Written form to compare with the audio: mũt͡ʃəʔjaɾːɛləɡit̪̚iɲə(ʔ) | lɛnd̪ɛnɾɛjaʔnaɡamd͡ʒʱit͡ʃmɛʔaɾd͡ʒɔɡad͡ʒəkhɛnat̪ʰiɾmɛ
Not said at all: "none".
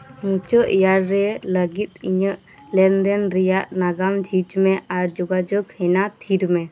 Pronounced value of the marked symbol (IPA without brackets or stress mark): ʔ